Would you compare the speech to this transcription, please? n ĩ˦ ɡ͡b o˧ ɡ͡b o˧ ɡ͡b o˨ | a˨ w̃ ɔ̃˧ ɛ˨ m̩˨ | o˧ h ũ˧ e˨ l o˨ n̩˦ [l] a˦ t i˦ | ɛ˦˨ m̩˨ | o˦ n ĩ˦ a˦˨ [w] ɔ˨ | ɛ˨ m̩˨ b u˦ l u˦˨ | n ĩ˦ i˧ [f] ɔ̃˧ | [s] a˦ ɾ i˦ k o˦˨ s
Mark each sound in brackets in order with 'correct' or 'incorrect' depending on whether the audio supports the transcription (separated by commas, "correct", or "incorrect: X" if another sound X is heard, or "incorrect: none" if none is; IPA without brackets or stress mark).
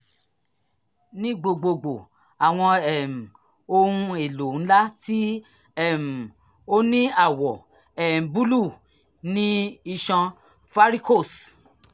correct, correct, incorrect: ʃ, incorrect: f